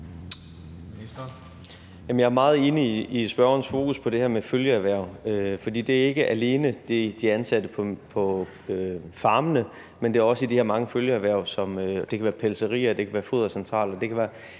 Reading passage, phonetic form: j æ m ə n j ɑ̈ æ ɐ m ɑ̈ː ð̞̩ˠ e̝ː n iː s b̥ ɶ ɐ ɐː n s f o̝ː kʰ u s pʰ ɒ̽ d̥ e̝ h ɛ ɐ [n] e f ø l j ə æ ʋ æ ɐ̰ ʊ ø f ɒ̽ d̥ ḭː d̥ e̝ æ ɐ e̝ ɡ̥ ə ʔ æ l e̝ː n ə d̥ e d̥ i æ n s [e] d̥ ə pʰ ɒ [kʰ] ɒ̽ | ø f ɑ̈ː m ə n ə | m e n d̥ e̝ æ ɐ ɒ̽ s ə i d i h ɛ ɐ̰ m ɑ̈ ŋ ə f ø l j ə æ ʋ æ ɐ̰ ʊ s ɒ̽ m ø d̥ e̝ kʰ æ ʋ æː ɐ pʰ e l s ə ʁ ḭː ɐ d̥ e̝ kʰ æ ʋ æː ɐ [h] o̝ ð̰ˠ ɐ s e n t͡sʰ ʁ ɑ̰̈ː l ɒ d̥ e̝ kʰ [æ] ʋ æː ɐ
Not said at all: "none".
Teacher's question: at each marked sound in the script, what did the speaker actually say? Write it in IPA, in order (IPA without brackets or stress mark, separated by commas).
m, æ, pʰ, f, æ